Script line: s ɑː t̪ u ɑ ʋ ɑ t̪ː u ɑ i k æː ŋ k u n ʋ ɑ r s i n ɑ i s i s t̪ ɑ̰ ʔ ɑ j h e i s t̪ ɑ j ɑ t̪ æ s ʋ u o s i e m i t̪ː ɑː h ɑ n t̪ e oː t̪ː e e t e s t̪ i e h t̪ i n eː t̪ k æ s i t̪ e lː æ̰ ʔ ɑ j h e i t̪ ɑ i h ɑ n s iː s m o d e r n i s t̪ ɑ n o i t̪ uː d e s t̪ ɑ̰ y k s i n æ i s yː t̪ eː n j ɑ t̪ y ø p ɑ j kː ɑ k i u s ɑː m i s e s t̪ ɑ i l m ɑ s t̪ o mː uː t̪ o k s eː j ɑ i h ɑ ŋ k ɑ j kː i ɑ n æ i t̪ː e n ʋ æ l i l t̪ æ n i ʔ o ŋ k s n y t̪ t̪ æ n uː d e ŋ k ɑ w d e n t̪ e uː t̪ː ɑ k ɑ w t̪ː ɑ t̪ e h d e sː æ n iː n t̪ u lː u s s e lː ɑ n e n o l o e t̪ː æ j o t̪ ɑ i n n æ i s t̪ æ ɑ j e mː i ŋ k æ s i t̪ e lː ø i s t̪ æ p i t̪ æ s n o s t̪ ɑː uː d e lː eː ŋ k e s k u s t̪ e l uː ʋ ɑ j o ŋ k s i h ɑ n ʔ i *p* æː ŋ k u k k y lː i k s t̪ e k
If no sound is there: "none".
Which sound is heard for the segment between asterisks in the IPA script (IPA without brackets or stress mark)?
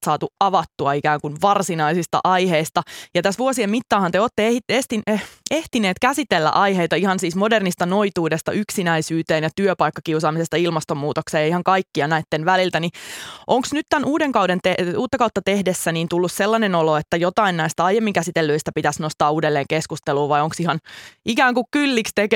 k